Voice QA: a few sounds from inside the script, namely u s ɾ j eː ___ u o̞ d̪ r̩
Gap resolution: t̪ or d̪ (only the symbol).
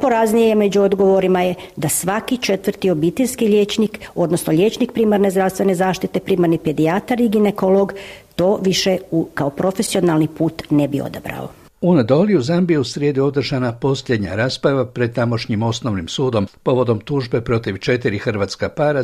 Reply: d̪